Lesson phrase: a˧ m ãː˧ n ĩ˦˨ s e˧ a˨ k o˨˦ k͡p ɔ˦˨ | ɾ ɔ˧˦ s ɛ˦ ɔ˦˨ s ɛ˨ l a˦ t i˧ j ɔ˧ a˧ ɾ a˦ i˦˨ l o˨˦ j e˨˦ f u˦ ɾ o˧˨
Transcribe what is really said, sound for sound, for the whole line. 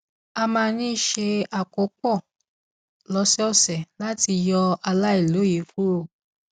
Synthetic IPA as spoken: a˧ m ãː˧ n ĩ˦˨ ʃ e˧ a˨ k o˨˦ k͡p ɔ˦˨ | l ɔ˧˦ s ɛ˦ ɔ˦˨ s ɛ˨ l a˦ t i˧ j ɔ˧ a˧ l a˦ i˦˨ l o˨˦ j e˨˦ f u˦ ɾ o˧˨